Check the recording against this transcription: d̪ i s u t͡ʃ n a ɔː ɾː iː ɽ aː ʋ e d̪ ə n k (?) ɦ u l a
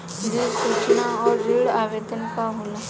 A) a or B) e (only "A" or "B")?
A